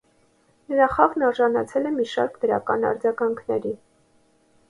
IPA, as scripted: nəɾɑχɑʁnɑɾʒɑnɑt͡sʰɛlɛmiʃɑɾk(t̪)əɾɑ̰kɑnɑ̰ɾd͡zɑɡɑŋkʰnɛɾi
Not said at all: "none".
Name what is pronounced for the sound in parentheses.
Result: d̪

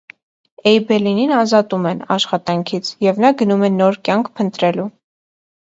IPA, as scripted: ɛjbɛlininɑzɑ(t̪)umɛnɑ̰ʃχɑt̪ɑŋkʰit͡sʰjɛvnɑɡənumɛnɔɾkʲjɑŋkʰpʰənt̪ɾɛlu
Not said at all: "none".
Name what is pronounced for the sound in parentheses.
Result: t̪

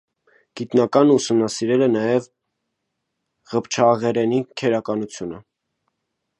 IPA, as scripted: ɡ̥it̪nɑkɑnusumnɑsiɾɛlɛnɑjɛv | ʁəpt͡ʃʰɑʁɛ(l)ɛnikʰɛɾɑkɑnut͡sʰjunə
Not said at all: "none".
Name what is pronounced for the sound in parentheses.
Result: ɾ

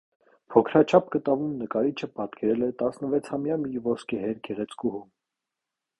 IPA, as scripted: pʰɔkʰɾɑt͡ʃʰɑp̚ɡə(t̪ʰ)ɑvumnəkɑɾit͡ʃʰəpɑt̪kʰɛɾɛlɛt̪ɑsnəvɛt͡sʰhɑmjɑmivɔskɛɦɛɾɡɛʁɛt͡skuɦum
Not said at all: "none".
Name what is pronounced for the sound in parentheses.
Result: t̪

